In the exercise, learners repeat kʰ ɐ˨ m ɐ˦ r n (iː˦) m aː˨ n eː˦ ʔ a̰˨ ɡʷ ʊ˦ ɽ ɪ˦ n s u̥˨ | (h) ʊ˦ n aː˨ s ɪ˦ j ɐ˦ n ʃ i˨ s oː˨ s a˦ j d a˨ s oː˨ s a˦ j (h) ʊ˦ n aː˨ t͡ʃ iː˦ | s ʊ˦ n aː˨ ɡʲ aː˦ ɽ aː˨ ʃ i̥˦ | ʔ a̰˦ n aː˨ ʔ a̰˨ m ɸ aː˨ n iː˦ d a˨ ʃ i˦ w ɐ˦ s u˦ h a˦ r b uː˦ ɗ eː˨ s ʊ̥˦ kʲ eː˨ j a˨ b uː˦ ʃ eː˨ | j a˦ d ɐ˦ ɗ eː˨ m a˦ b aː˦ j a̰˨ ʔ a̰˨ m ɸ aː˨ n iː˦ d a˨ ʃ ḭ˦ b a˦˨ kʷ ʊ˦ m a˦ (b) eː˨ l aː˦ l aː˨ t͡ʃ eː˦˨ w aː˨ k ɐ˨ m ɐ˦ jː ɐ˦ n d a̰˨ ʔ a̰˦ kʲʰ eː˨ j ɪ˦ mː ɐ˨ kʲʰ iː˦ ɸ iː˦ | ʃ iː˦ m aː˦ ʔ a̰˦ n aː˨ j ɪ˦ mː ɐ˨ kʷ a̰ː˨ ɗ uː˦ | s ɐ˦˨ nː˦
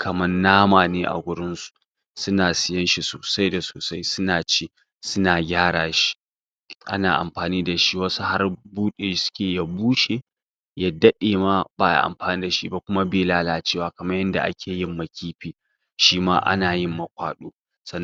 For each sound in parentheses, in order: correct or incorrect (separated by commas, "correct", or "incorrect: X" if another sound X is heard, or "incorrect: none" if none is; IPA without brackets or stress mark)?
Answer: incorrect: aː˦, incorrect: s, incorrect: s, correct